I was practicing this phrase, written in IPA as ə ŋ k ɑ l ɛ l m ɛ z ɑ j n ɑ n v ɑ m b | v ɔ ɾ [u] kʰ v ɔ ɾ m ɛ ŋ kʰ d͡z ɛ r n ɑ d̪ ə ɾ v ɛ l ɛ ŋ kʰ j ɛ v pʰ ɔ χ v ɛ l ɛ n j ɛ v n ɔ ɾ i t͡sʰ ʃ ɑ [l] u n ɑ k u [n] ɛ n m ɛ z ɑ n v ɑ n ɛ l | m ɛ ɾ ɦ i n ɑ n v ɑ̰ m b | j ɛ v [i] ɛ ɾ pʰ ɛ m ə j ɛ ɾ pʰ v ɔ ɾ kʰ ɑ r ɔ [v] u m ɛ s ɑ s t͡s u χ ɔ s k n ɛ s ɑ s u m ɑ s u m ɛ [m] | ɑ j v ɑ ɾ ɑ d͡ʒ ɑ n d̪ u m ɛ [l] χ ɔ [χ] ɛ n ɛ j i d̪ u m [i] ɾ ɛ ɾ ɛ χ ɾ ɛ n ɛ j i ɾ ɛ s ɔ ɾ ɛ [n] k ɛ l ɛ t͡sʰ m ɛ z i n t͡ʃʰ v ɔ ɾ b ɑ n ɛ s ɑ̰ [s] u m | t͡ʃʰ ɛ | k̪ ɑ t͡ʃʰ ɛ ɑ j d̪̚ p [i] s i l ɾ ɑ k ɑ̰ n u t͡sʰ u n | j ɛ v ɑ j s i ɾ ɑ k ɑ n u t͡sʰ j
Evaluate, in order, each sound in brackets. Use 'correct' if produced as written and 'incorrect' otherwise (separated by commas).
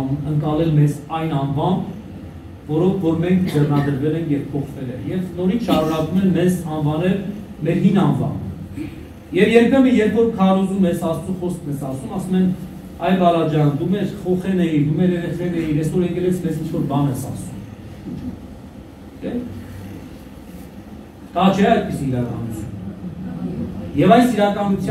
incorrect, incorrect, incorrect, incorrect, incorrect, incorrect, incorrect, correct, incorrect, incorrect, correct, correct